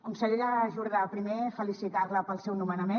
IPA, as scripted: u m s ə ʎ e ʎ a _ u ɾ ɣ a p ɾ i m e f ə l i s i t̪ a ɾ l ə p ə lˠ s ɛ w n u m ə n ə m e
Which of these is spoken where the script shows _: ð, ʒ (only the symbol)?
ʒ